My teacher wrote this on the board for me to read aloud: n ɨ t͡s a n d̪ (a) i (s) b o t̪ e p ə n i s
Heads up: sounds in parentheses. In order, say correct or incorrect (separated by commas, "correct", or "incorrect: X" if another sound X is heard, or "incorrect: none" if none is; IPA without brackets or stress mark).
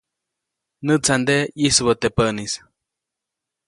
incorrect: e, correct